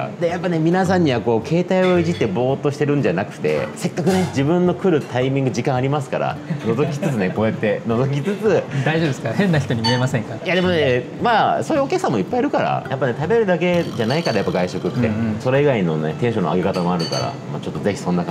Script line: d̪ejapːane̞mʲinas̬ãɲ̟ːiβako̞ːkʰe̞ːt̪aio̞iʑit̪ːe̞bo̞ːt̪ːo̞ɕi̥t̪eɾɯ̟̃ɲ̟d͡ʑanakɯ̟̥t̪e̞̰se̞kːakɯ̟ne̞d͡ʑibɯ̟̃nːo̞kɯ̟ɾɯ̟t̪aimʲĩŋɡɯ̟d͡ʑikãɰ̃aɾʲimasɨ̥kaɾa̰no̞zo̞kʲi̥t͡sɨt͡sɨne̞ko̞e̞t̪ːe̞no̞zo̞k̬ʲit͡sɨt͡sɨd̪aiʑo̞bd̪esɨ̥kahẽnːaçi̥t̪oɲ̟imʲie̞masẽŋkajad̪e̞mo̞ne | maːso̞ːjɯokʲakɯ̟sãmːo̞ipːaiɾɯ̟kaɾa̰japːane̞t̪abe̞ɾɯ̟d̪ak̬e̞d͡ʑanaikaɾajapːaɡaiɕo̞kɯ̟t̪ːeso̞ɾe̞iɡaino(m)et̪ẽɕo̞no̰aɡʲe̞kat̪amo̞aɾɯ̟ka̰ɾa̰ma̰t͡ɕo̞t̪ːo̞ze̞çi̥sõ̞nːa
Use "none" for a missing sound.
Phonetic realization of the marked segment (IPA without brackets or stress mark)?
n